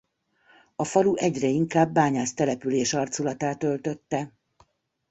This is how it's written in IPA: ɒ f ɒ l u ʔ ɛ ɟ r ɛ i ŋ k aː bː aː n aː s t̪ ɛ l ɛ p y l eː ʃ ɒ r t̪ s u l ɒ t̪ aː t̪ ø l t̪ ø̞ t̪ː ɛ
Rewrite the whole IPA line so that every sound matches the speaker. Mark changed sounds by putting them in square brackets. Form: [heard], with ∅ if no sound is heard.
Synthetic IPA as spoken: ɒ f ɒ l u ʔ ɛ ɟ r ɛ i ŋ k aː bː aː [ɲ] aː s t̪ ɛ l ɛ p y l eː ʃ ɒ r t̪ s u l ɒ t̪ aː t̪ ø l t̪ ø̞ t̪ː ɛ